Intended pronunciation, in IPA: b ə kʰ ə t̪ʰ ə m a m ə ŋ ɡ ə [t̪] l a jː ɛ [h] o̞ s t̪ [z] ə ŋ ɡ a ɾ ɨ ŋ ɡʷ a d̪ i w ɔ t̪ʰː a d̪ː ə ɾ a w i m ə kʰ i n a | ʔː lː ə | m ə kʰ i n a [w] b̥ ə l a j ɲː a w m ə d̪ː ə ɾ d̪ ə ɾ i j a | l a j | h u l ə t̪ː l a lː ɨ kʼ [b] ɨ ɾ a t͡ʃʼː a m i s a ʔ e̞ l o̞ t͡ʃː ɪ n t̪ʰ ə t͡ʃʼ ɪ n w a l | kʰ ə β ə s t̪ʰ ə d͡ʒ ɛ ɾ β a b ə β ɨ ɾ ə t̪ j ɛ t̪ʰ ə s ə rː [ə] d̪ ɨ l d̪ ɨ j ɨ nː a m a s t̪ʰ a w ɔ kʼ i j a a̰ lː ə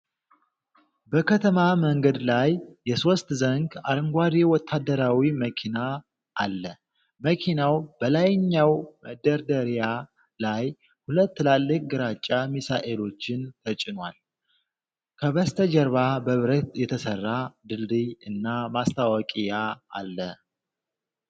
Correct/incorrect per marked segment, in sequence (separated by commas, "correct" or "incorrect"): incorrect, incorrect, correct, correct, incorrect, incorrect